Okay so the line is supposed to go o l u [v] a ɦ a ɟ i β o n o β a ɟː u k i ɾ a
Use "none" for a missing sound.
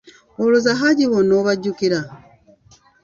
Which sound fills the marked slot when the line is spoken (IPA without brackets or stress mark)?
z